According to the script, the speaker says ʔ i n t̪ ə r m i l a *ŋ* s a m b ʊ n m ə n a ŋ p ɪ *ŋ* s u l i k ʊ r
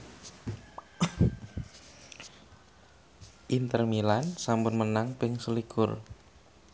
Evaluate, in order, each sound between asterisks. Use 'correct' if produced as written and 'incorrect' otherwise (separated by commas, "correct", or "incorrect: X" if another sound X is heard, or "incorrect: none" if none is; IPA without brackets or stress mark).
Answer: incorrect: n, correct